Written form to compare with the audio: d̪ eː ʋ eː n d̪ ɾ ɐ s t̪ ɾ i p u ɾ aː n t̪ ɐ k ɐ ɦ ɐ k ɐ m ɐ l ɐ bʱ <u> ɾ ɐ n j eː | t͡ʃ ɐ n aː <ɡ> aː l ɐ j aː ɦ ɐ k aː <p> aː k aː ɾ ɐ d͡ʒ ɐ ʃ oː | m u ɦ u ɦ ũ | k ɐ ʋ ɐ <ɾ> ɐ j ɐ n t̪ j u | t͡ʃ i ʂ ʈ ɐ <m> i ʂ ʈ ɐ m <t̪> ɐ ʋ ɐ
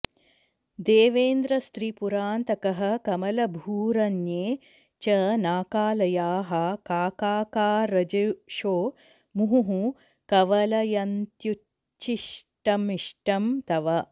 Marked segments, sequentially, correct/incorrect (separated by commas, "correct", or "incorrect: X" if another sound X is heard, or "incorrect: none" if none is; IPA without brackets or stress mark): incorrect: uː, incorrect: k, incorrect: k, incorrect: l, correct, correct